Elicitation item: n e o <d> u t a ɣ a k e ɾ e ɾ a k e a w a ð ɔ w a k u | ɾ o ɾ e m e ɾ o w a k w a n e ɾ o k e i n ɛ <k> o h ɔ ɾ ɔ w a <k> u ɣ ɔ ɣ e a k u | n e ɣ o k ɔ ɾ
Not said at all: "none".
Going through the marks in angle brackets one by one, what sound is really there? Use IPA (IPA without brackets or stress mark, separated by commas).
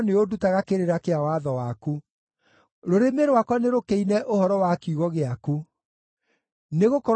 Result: d, ʔ, k